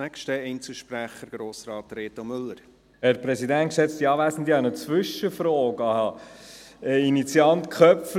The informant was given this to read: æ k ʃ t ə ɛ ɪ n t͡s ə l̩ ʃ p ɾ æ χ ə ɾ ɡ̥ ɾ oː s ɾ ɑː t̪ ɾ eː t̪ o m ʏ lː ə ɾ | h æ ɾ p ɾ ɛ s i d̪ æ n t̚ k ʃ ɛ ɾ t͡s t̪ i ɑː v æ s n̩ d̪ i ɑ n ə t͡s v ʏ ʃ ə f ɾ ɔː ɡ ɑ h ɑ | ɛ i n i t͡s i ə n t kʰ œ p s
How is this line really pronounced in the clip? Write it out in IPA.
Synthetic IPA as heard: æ k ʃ t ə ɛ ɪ n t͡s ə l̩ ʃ p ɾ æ χ ə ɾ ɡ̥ ɾ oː s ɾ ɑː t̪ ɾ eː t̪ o m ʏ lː ə ɾ | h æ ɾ p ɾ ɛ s i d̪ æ n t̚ k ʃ ɛ t͡s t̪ i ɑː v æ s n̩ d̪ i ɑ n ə t͡s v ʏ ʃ ə f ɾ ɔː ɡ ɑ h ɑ | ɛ i n i t͡s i ɑ n t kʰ œ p f